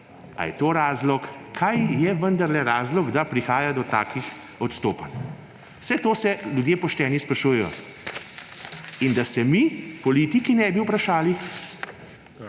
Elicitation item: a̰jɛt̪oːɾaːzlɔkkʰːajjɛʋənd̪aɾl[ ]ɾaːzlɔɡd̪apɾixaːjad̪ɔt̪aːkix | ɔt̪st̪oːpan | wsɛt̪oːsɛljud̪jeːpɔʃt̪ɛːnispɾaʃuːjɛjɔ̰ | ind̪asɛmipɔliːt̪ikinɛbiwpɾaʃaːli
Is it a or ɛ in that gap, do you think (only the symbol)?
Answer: ɛ